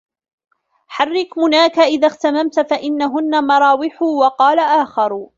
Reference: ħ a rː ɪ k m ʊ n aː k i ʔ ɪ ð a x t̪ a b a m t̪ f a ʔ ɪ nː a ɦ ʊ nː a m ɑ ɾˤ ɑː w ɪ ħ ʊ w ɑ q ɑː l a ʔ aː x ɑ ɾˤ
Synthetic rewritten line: ħ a rː ɪ k m ʊ n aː k a ʔ ɪ ð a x t̪ a m a m t̪ f a ʔ ɪ nː a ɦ ʊ nː a m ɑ ɾˤ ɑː w ɪ ħ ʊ w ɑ q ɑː l a ʔ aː x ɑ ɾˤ